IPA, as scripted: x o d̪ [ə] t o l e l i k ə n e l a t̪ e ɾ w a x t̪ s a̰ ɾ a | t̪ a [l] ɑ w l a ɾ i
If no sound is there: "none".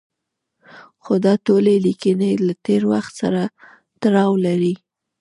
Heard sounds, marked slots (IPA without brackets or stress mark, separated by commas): ɑ, ɾ